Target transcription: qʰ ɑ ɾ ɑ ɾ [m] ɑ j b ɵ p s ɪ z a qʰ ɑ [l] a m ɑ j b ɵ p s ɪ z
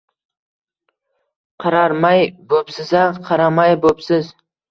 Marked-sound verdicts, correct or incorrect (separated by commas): correct, incorrect